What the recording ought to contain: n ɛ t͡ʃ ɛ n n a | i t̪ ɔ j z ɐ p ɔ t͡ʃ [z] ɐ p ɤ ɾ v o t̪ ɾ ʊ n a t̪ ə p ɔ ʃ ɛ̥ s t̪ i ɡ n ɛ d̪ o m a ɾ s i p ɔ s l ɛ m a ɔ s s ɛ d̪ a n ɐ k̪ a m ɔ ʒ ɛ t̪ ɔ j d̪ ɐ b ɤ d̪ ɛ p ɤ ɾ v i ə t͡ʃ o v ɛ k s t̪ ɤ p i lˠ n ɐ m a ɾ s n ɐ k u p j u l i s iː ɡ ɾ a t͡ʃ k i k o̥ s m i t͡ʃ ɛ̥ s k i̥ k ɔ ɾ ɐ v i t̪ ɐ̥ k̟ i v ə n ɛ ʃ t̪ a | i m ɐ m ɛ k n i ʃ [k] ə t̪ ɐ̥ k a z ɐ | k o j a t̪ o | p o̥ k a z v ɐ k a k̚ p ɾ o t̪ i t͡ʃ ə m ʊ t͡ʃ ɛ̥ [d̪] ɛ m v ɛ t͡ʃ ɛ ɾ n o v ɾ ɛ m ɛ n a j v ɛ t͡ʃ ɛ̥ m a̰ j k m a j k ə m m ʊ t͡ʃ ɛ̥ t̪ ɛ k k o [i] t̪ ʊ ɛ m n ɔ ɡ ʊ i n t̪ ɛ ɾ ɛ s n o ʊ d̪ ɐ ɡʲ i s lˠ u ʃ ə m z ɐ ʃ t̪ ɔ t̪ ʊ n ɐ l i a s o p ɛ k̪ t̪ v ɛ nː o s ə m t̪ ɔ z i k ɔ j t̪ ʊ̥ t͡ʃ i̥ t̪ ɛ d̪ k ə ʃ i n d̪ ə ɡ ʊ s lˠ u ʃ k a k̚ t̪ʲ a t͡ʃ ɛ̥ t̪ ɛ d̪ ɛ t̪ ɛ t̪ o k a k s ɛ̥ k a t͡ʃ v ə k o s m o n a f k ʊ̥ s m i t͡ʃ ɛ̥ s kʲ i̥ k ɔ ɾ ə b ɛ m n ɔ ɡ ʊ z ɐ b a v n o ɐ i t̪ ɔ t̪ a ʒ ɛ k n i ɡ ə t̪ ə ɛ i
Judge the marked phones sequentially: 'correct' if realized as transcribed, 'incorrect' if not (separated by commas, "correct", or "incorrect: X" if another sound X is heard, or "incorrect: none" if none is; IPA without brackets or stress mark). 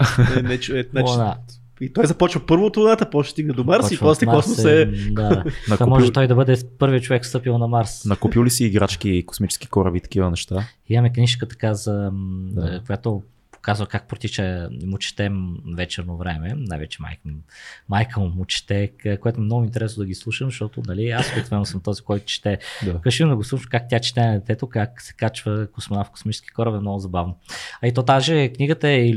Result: incorrect: v, correct, incorrect: t̪, incorrect: ɛ